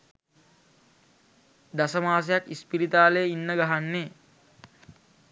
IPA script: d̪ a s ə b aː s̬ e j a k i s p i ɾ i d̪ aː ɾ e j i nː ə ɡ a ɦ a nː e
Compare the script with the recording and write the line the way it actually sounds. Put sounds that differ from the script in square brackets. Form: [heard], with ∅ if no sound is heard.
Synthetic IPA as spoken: d̪ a s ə [m] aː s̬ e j a k i s p i ɾ i [t̪] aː [l] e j i nː ə ɡ a ɦ a nː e